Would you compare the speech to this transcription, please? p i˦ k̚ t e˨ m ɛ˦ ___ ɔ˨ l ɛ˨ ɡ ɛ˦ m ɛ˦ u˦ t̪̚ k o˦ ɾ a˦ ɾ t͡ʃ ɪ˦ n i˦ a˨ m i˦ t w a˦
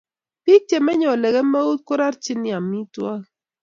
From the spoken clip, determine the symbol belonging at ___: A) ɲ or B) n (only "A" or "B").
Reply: A